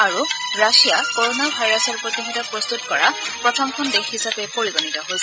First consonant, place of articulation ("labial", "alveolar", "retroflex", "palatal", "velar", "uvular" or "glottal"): alveolar